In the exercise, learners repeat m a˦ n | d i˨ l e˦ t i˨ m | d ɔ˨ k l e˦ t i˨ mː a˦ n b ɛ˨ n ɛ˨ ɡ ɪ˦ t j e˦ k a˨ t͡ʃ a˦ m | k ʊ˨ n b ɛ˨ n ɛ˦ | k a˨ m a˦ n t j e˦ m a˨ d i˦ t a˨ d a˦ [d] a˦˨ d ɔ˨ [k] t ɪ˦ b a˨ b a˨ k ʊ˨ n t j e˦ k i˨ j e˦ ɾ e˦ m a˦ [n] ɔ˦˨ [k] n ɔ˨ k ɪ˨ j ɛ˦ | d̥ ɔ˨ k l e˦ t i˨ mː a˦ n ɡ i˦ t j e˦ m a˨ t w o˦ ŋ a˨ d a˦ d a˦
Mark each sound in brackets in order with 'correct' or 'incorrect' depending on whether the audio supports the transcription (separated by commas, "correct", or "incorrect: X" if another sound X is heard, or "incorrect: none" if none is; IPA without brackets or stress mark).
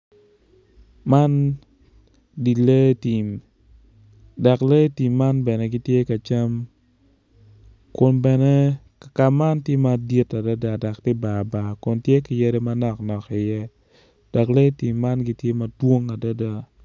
correct, correct, correct, correct